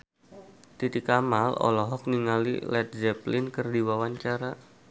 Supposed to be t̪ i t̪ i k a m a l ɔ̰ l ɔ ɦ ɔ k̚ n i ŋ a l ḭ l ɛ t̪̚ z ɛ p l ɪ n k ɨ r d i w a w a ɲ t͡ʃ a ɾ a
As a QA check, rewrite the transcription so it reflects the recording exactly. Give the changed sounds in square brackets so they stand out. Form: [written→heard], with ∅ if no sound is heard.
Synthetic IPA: t̪ i t̪ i k a m a l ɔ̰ l ɔ ɦ ɔ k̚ n i ŋ a l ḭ l ɛ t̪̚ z ɛ p l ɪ n k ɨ r d i w a w a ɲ t͡ʃ a ɾ a